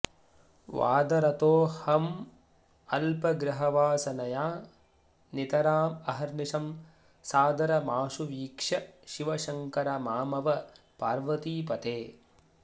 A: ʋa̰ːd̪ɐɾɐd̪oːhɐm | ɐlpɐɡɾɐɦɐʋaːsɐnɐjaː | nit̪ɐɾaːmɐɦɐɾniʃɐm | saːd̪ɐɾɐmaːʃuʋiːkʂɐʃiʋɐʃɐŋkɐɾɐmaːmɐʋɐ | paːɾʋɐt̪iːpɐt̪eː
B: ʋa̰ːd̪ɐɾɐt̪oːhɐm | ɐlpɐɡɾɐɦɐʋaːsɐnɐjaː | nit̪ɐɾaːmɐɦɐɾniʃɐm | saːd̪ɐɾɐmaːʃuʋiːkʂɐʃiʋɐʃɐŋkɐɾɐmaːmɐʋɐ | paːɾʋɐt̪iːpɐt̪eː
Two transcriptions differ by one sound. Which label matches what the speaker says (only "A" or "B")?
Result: B